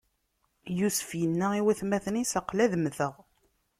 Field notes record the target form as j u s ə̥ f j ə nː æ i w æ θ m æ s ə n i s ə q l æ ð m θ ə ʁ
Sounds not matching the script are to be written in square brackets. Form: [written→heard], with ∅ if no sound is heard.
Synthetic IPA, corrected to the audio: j u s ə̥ f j ə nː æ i w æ θ m æ [s→θ] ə n i s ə q l æ ð m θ ə ʁ